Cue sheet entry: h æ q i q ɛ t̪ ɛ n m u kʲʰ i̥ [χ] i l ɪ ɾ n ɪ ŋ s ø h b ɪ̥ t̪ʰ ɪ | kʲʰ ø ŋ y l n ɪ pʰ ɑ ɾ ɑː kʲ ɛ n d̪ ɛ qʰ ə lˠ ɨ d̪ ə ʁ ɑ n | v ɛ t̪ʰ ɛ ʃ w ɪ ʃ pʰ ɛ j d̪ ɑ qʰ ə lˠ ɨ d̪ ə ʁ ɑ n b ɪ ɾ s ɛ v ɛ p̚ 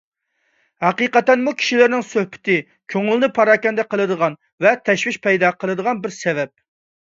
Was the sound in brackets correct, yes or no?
no